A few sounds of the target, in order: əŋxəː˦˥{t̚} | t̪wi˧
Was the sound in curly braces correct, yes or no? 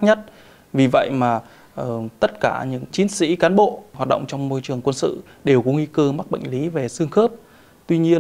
no